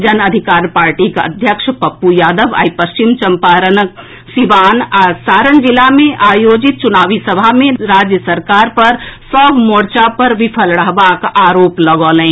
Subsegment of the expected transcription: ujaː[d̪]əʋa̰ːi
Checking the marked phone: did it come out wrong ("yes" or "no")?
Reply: no